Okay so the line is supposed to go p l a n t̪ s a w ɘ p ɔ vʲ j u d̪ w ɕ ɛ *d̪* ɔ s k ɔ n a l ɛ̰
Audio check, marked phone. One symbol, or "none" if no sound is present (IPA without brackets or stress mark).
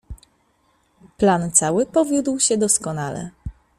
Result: d̪